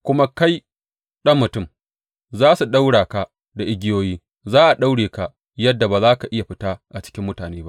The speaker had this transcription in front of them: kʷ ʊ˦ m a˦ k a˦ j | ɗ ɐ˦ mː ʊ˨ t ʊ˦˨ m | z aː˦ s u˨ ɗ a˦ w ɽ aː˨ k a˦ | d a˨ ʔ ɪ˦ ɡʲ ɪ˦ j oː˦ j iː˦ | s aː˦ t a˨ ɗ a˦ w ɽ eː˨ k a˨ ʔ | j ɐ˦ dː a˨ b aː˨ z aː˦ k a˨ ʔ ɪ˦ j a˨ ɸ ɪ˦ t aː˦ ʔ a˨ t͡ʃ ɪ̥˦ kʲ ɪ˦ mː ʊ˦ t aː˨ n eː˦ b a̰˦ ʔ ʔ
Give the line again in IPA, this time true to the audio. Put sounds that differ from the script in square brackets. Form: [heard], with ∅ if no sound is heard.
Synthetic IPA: kʷ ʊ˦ m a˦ k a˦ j | ɗ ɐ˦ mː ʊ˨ t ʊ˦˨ m | z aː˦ s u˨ ɗ a˦ w ɽ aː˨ k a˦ | d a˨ ʔ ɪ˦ ɡʲ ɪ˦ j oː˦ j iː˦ | [z] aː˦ [ʔ] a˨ ɗ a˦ w ɽ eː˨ k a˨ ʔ | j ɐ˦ dː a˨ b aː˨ z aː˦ k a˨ ʔ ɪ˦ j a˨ ɸ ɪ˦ t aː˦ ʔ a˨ t͡ʃ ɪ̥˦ kʲ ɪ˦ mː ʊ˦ t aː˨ n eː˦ b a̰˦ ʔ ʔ